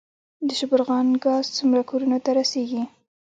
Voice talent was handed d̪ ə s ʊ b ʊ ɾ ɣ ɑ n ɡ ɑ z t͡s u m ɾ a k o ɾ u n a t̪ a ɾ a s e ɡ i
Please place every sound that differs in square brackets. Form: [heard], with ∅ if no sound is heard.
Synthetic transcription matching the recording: d̪ ə [ʃ] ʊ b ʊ ɾ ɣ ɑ n ɡ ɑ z t͡s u m ɾ a k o ɾ u n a t̪ a ɾ a s e ɡ i